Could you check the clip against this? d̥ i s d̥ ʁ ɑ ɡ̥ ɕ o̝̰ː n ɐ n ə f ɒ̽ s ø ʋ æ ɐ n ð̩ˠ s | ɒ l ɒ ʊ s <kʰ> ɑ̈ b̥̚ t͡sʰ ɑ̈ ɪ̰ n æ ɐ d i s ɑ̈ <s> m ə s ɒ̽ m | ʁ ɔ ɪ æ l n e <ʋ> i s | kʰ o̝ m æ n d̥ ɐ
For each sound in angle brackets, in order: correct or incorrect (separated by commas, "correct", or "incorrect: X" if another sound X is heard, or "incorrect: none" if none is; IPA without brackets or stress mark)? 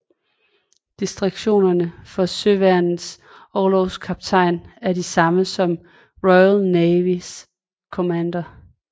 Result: correct, incorrect: none, correct